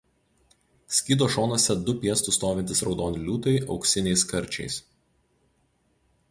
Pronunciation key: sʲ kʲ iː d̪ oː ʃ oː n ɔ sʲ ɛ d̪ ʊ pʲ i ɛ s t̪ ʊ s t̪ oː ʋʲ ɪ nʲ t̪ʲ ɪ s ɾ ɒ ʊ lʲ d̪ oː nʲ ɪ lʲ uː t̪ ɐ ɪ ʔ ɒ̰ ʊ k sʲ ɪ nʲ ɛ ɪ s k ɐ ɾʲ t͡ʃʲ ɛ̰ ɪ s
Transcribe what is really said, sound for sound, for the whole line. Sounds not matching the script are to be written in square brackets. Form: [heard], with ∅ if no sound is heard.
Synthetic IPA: sʲ kʲ iː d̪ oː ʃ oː n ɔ sʲ ɛ d̪ ʊ pʲ i ɛ s t̪ ʊ s t̪ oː ʋʲ ɪ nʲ t̪ʲ ɪ s ɾ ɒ ʊ [∅] d̪ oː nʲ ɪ lʲ uː t̪ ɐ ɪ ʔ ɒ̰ ʊ k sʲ ɪ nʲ ɛ ɪ s k ɐ ɾʲ t͡ʃʲ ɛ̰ ɪ s